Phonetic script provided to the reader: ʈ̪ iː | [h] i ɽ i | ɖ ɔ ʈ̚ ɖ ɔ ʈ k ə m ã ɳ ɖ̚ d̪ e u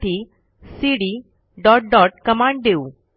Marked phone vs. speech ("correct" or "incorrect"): incorrect